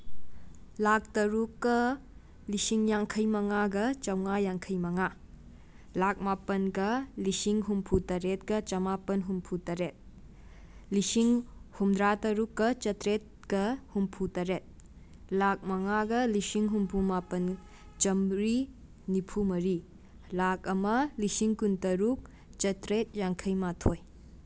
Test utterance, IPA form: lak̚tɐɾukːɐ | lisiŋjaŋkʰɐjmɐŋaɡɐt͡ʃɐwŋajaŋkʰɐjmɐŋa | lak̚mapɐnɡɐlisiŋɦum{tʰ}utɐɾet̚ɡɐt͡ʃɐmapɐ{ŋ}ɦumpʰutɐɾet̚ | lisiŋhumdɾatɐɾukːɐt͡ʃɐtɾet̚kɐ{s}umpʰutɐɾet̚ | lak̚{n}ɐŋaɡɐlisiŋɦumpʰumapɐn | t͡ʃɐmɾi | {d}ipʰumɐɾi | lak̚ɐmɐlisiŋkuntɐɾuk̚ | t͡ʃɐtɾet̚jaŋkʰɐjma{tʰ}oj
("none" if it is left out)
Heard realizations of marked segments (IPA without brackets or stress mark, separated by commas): pʰ, n, h, m, n, tʰ